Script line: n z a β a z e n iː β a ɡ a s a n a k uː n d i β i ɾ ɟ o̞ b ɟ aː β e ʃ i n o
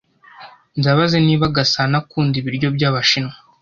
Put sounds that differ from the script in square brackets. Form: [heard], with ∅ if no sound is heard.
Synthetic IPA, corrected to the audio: n z a β a z e n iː β a ɡ a s a n a k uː n d i β i ɾ ɟ o̞ b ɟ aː β [a] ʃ i n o